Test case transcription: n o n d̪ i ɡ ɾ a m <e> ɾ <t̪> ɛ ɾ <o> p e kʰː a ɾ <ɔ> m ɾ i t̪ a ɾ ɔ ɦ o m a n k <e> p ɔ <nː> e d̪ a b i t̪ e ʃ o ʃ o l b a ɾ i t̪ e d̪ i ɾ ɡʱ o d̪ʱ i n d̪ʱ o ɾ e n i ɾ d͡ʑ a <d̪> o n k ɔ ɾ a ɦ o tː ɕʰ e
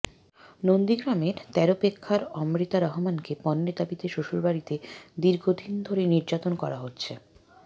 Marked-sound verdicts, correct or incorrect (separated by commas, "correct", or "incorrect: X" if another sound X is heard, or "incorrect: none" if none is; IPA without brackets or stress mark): correct, correct, correct, correct, correct, correct, incorrect: t̪